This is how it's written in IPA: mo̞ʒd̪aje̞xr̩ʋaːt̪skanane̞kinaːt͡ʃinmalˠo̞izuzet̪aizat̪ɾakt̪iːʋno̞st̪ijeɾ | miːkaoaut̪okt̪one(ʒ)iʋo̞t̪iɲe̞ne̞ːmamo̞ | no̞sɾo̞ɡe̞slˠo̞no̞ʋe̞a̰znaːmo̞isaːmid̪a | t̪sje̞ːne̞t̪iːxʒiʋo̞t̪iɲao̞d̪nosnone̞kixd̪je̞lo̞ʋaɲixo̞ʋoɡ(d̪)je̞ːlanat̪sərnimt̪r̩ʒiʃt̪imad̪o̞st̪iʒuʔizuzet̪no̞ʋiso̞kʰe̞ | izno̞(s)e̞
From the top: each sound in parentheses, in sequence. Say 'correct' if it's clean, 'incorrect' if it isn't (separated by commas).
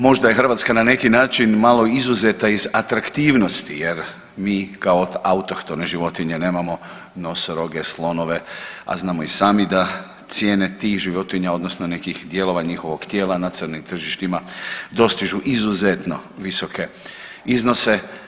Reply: correct, incorrect, correct